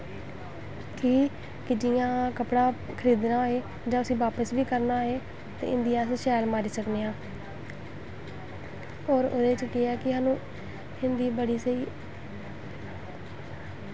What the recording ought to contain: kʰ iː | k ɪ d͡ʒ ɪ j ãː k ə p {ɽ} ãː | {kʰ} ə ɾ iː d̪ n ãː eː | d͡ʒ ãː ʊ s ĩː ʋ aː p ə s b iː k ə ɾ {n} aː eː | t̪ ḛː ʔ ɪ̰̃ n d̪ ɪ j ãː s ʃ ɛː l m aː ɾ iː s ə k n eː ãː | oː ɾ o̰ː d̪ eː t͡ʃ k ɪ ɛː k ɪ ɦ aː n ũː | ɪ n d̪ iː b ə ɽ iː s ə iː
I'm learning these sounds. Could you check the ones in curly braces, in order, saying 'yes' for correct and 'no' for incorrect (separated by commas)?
yes, yes, yes